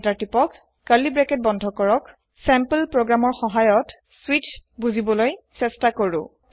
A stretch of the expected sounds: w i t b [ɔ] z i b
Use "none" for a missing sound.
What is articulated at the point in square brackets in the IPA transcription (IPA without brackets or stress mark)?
u